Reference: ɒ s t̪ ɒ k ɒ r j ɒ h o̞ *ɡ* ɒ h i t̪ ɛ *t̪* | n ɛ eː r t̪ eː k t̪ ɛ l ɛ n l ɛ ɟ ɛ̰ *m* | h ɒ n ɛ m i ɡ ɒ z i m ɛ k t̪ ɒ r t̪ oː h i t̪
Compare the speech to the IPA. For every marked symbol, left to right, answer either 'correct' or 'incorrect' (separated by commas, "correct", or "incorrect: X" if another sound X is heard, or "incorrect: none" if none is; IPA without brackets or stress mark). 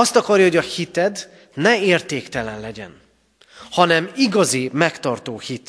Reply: incorrect: ɟ, incorrect: d̪, incorrect: n